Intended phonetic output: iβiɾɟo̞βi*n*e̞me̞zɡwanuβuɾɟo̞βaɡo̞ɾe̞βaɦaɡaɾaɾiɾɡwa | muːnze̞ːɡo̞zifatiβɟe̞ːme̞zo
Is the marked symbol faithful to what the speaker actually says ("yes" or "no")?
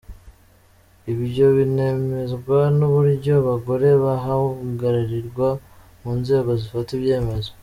yes